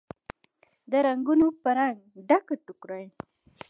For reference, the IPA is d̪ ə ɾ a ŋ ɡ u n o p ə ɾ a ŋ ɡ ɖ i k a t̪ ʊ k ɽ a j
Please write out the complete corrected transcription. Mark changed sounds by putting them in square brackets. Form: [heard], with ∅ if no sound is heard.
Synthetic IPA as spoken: d̪ ə ɾ a ŋ ɡ u n o p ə ɾ a ŋ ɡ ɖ [a] k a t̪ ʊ k [ɾ] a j